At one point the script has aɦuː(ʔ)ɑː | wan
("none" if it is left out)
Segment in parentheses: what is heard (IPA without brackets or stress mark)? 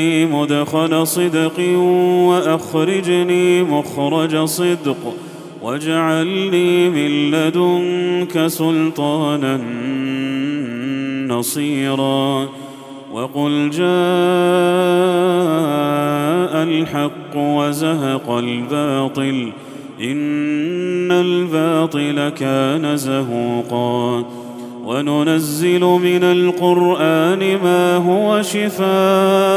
q